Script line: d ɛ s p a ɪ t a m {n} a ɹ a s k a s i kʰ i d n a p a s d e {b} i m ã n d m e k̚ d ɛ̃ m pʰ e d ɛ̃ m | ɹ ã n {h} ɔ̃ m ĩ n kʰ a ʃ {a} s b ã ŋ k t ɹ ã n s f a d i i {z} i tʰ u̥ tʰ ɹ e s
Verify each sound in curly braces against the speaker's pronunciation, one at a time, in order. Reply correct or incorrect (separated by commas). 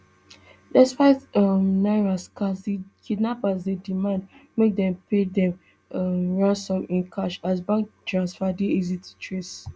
correct, incorrect, incorrect, correct, correct